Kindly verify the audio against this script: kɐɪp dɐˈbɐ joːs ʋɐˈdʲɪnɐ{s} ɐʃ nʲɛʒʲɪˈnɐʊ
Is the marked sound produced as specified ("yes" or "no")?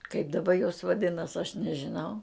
yes